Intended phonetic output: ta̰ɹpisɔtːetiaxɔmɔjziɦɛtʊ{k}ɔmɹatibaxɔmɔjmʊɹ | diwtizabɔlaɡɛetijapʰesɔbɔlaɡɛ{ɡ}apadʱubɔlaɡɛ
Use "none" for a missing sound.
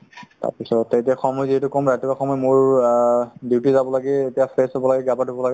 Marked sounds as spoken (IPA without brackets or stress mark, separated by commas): k, ɡ